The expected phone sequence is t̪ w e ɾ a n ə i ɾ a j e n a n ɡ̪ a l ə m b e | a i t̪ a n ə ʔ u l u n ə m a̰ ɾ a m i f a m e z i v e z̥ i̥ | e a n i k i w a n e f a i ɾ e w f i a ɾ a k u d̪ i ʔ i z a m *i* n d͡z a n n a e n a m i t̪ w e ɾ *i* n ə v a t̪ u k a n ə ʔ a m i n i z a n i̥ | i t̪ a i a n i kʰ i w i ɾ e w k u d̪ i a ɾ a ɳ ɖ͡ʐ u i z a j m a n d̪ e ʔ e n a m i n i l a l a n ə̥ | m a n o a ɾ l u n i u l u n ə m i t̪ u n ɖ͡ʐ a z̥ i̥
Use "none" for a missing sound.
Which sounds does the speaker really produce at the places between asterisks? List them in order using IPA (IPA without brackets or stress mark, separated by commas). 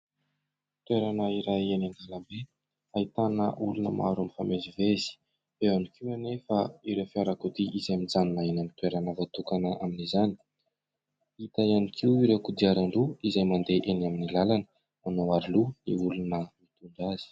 i, a